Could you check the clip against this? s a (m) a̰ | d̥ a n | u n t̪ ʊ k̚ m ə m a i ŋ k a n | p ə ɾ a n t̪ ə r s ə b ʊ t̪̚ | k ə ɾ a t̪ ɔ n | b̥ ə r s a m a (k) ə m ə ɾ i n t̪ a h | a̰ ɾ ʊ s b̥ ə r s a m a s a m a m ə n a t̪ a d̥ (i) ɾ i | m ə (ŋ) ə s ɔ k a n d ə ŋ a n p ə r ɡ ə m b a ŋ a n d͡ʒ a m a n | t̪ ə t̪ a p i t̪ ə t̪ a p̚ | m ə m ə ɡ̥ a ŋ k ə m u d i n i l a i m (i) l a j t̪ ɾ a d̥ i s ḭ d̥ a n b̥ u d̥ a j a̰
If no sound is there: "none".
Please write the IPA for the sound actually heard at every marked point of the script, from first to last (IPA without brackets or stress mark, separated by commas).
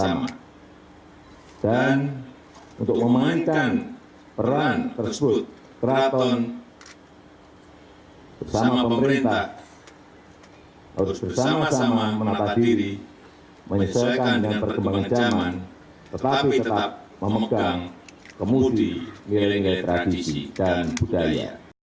m, p, i, ɲ, i